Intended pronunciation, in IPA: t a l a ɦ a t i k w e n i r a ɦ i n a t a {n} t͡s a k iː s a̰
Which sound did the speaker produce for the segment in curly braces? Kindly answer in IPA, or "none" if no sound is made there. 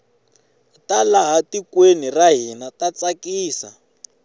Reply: none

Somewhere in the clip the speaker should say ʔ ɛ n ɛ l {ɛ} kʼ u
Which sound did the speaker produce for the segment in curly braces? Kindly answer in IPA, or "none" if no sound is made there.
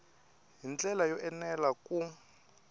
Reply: a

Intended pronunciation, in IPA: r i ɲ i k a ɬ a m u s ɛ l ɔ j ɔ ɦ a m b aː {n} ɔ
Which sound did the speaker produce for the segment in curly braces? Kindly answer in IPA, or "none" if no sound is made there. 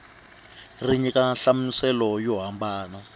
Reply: n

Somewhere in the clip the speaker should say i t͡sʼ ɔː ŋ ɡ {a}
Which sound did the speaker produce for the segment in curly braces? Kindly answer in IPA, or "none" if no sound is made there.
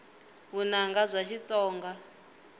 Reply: a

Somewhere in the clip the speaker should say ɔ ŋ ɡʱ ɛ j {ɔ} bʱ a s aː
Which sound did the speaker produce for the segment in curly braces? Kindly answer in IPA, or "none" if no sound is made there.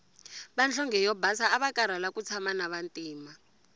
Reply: ɔ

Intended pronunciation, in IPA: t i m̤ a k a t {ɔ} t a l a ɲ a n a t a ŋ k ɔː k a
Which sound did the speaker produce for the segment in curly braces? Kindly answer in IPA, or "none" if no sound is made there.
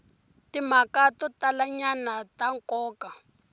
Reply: ɔ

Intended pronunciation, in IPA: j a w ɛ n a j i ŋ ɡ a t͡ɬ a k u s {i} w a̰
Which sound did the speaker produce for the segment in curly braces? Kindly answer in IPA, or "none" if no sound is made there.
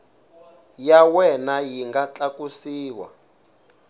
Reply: iː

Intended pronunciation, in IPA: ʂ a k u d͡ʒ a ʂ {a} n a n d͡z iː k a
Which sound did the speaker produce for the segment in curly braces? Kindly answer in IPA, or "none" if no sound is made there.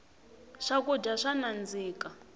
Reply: a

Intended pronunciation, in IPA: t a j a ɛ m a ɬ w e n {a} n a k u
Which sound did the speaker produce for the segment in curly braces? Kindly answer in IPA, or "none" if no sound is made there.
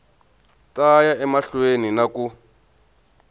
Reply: i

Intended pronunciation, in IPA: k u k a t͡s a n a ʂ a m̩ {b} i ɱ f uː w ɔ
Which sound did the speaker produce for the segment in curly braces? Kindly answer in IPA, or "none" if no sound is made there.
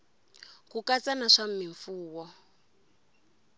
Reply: m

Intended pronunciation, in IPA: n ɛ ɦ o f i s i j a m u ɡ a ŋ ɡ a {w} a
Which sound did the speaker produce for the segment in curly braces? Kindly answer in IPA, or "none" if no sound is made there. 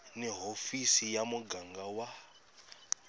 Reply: w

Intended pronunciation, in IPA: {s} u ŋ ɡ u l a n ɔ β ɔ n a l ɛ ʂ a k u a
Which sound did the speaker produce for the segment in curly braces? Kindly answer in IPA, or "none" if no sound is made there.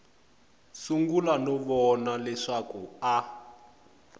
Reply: s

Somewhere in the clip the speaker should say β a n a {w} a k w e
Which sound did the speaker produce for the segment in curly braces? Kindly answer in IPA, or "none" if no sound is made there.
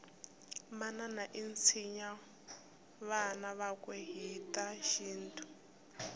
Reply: β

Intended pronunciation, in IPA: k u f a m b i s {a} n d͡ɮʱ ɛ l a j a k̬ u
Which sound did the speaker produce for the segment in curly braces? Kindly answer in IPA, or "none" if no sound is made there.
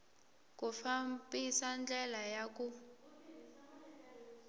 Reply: a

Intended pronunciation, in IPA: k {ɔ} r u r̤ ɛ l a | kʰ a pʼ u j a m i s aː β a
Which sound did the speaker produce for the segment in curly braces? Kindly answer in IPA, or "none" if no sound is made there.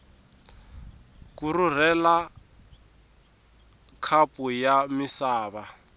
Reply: u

